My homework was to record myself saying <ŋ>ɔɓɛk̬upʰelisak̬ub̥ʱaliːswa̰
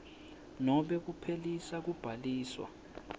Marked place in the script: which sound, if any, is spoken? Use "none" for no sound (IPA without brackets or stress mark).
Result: n